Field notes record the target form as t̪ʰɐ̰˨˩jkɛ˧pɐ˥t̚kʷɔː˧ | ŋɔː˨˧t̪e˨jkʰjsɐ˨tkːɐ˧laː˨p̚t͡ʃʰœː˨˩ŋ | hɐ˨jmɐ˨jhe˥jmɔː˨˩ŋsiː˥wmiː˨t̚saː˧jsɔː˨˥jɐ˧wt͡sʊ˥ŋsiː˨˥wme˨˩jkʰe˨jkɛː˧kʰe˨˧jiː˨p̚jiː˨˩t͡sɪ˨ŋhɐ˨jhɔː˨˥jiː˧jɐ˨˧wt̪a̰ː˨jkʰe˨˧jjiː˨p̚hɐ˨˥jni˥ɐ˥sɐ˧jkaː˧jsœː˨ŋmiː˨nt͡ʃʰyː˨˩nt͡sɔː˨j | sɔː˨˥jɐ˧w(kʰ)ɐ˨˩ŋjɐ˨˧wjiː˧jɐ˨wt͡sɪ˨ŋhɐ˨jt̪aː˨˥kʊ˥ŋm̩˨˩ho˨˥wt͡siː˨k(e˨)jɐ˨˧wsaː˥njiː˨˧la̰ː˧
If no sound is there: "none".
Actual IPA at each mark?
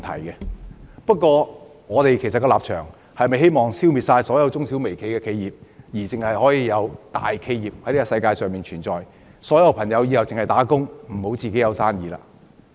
pʰ, e˨˥

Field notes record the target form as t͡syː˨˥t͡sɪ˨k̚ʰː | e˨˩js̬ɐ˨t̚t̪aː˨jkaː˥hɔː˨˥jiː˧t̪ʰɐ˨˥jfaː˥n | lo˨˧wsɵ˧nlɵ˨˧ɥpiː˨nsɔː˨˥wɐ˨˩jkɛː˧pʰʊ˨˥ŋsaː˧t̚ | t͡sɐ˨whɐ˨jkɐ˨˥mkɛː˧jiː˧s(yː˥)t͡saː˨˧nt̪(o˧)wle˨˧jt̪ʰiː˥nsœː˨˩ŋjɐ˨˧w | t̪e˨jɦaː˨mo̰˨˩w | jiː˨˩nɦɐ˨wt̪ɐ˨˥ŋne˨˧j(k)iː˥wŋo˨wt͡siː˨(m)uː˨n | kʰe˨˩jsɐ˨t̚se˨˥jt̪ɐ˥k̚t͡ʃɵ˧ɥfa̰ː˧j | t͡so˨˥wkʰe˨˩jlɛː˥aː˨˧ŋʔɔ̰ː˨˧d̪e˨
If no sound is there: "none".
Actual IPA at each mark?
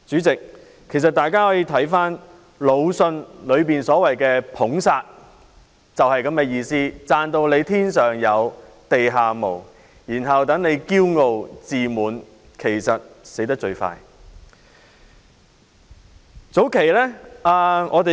iː˥, o˧, k, m

